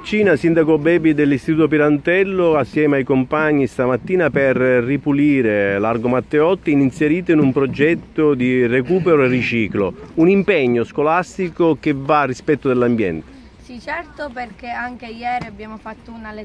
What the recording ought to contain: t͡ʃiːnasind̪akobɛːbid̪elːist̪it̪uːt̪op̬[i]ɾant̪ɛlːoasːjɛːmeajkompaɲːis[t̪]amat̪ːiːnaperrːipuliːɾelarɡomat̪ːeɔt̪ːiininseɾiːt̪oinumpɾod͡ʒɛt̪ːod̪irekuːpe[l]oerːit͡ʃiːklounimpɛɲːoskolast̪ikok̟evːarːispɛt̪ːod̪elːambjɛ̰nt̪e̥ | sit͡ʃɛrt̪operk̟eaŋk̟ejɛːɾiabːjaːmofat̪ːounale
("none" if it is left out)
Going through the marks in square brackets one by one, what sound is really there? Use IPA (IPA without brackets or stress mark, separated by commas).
i, t̪, ɾ